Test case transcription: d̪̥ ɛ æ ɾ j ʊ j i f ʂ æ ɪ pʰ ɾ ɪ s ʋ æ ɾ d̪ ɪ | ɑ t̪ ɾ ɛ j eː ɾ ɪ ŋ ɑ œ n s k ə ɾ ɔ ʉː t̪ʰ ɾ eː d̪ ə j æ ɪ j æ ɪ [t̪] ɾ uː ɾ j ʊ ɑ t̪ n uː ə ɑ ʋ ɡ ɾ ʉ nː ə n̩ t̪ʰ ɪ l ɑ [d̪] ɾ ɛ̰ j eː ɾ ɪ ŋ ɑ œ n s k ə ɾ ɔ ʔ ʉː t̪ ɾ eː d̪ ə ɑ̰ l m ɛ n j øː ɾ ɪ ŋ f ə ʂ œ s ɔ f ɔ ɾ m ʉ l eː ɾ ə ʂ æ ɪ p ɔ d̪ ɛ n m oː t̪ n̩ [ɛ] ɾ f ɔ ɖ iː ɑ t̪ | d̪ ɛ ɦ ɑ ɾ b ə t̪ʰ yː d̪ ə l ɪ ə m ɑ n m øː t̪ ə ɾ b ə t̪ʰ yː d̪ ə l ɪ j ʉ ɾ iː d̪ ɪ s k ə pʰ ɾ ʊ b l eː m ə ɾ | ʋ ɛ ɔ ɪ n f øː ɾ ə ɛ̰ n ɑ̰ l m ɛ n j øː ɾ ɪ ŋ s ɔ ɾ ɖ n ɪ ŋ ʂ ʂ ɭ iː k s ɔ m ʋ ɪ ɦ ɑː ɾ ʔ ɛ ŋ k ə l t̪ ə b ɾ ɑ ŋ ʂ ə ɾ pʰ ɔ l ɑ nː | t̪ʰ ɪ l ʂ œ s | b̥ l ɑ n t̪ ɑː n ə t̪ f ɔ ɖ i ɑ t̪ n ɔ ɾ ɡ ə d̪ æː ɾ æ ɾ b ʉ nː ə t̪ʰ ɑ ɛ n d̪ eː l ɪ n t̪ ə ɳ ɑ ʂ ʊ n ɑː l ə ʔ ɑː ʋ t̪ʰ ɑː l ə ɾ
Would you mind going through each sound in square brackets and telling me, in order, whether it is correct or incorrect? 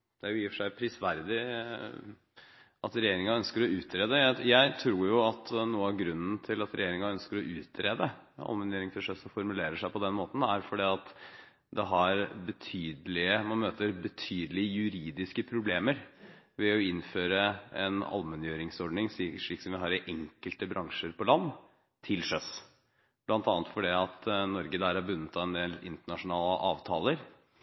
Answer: incorrect: t̪ʰ, incorrect: t̪, incorrect: æ

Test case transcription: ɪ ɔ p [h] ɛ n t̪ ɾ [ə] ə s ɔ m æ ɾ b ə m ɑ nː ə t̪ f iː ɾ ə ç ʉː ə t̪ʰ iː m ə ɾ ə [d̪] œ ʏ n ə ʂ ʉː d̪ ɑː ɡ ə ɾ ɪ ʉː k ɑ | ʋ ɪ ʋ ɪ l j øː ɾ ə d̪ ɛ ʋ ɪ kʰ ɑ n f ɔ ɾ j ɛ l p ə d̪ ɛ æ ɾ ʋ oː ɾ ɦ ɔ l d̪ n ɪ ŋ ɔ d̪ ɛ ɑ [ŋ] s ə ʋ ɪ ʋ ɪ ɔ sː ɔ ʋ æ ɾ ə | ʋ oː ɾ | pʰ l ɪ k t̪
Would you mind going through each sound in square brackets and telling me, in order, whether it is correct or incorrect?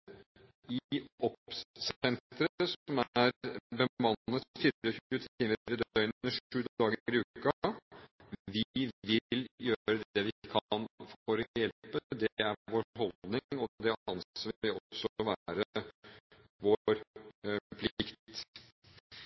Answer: incorrect: s, correct, correct, incorrect: n

